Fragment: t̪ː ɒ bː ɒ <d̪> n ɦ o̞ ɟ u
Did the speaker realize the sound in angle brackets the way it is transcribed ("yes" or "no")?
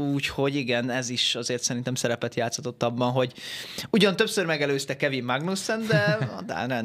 no